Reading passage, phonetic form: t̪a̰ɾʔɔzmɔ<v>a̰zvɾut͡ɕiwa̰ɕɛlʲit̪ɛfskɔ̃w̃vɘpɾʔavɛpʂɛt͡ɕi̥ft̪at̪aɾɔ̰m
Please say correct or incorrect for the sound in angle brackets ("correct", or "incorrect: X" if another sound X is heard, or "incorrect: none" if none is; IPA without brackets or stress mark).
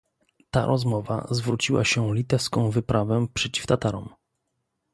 correct